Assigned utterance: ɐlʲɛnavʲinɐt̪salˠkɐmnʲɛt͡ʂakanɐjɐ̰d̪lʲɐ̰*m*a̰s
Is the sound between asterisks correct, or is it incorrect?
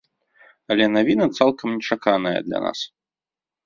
incorrect: n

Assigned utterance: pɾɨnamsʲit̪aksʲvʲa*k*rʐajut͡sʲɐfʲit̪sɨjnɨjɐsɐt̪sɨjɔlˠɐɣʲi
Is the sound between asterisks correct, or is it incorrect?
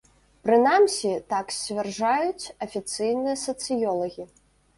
incorrect: none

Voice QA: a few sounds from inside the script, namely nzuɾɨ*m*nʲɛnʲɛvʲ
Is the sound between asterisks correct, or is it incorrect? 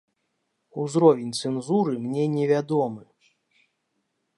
correct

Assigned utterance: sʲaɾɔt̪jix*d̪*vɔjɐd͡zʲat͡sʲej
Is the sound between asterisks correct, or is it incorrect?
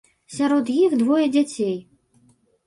correct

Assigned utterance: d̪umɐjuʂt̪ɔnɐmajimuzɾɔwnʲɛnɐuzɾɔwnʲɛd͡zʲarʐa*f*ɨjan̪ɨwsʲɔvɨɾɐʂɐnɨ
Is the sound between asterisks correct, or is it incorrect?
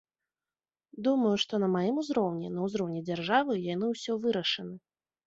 incorrect: v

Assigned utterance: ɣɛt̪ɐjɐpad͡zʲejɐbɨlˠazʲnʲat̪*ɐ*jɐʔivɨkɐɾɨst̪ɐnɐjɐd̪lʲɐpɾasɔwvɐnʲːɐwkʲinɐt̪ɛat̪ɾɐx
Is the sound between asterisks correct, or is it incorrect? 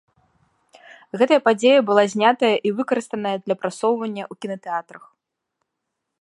correct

